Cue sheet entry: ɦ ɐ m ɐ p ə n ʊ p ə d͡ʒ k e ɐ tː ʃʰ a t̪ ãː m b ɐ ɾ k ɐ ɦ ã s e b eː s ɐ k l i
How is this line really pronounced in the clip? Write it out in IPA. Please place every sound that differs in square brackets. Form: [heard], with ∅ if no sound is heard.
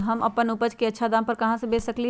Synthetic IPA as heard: ɦ ɐ m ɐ p ə n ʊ p ə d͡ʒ k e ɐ tː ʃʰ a [d̪] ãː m [p] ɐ ɾ k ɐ ɦ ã s e b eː s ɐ k l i